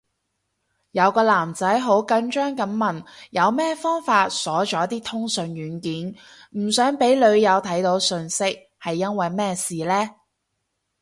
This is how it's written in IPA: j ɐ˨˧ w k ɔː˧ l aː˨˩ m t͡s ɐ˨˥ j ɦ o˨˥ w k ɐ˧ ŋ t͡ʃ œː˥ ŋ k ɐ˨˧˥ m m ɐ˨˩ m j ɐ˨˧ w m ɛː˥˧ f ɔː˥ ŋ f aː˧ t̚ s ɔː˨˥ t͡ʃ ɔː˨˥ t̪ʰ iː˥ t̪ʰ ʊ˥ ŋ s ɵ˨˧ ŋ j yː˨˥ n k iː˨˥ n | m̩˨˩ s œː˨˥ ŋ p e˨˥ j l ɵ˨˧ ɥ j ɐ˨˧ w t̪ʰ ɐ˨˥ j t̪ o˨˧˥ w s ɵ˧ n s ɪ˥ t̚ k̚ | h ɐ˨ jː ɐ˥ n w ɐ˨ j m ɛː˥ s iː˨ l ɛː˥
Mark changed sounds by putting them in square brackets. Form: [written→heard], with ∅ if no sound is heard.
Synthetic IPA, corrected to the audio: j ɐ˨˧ w k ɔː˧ l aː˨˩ m t͡s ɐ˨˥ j ɦ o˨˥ w k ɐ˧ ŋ t͡ʃ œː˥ ŋ k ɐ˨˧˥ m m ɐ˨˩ [m→n] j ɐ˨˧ w m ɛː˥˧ f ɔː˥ ŋ f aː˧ t̚ s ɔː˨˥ t͡ʃ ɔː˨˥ [t̪ʰ→t̪] iː˥ t̪ʰ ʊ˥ ŋ s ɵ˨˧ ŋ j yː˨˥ n k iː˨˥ n | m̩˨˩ s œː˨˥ ŋ p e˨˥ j l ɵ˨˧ ɥ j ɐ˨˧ w t̪ʰ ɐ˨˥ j t̪ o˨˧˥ w s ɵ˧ n s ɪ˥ [t̚→∅] k̚ | h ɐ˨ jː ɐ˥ n w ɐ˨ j m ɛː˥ s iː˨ l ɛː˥